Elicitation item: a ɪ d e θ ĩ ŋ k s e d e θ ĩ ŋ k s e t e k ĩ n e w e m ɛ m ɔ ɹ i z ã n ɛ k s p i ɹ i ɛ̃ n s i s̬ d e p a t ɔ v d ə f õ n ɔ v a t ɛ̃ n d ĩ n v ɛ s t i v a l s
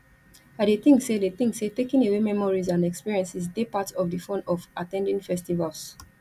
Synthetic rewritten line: a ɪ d e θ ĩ ŋ k s e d e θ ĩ ŋ k s e t e k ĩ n e w e m ɛ m ɔ ɹ i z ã n ɛ k s p i ɹ i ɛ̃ n s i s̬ d e p a t ɔ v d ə f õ n ɔ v a t ɛ̃ n d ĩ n f ɛ s t i v a l s